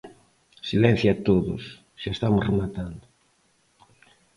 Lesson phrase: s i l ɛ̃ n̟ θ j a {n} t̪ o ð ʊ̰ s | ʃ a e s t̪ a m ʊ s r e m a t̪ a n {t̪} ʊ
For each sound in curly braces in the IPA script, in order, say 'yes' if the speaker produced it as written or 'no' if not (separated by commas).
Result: no, no